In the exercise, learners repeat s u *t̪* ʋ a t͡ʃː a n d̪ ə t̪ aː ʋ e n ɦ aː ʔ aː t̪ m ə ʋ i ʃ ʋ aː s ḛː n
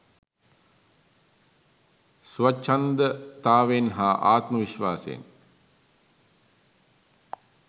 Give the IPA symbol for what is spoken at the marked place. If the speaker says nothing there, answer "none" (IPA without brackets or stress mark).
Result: none